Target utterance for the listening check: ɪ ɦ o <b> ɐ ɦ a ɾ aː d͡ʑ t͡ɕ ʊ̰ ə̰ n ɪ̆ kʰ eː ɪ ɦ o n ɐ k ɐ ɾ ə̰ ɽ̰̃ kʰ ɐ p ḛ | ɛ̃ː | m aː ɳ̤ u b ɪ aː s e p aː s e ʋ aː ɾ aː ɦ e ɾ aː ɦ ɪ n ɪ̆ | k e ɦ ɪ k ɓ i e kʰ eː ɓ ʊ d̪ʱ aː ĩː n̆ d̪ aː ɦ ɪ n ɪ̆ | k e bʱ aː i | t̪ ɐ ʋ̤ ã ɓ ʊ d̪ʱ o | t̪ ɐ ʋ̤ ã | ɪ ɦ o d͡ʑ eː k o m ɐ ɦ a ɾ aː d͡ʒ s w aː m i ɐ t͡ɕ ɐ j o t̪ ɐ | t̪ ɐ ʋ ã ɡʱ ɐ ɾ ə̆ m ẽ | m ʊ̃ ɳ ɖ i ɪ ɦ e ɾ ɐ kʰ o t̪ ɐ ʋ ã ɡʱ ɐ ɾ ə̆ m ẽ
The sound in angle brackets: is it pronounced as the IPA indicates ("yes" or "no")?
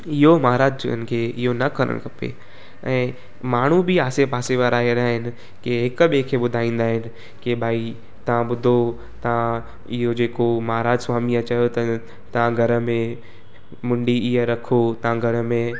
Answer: no